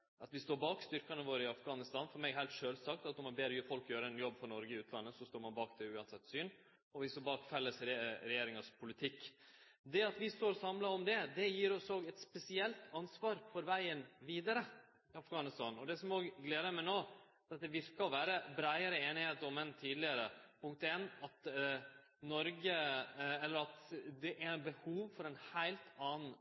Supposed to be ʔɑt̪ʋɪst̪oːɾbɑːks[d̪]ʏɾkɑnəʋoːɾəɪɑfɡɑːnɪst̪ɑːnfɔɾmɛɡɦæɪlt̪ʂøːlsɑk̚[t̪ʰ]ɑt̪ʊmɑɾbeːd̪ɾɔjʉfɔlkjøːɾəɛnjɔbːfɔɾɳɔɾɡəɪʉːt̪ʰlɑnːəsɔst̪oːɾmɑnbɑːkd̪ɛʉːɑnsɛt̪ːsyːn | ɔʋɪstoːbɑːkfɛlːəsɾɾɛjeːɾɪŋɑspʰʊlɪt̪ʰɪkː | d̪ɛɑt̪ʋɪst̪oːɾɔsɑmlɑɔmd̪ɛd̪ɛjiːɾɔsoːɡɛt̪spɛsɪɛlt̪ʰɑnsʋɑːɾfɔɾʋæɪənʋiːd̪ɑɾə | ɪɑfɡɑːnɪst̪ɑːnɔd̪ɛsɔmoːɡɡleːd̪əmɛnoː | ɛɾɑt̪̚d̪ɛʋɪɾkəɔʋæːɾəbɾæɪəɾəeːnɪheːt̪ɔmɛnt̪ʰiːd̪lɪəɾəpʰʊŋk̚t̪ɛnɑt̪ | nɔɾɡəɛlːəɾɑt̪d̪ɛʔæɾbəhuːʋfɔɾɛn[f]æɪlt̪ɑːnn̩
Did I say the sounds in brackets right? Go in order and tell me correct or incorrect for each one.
incorrect: t̪, incorrect: t̪, incorrect: h

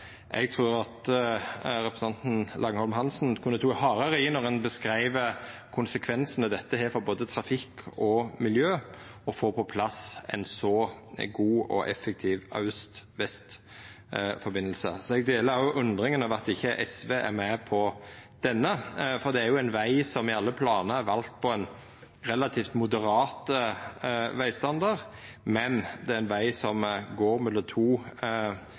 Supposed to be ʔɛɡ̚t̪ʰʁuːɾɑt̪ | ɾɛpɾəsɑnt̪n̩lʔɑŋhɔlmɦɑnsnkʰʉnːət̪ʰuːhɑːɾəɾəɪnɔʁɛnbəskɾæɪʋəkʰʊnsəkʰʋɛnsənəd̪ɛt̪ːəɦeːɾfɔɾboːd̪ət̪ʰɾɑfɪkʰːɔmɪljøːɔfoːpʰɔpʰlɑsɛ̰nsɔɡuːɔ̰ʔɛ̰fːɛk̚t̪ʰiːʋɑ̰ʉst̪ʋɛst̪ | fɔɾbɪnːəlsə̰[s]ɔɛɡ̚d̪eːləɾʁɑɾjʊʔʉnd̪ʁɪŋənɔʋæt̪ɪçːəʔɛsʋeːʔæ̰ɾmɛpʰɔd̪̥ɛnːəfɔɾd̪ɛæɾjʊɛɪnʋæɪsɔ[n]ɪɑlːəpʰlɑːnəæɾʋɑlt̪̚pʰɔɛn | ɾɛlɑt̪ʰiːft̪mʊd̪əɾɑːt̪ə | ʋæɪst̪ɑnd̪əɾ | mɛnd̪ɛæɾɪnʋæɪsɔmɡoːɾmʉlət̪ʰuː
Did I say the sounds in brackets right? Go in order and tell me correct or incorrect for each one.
correct, incorrect: m

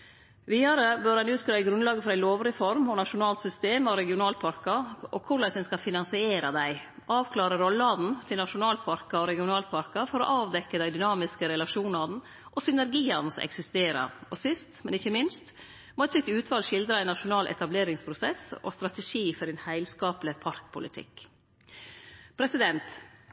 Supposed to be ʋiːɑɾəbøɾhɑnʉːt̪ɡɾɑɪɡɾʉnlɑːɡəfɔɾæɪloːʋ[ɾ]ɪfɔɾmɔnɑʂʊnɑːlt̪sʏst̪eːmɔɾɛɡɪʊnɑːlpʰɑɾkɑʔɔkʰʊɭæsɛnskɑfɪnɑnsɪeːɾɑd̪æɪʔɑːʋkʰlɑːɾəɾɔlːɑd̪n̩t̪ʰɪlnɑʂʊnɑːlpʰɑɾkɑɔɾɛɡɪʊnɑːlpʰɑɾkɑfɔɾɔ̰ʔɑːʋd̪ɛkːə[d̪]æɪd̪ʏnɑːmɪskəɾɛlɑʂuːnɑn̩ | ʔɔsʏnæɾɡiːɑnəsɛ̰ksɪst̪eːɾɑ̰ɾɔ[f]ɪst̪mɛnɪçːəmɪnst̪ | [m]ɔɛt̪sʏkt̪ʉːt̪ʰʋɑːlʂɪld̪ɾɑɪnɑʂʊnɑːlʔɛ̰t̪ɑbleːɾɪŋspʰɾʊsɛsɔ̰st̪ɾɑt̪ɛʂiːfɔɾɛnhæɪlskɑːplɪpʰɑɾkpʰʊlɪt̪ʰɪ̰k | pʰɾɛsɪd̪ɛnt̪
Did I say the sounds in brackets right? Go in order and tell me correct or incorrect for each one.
correct, correct, incorrect: s, correct

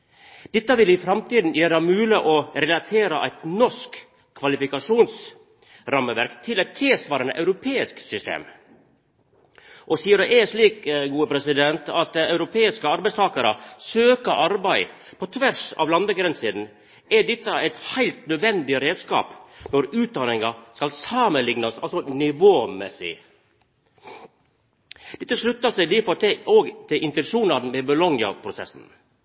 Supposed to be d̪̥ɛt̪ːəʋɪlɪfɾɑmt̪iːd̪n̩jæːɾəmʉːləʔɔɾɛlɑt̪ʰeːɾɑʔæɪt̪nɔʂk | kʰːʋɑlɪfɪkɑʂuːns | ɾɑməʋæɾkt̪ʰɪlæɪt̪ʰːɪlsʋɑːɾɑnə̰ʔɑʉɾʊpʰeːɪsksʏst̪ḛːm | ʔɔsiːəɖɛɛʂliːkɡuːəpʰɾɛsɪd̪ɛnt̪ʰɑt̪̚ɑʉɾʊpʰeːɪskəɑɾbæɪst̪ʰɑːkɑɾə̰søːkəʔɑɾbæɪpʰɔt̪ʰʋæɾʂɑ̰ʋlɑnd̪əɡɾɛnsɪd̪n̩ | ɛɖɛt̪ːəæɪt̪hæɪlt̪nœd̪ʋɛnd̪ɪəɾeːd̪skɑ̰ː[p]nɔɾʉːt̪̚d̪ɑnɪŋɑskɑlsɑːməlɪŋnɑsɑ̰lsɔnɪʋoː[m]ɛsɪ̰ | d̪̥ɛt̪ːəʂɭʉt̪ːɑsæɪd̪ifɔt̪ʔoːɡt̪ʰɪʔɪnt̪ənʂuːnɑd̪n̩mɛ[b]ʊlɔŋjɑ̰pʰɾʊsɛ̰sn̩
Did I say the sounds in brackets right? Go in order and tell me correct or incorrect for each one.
correct, correct, correct

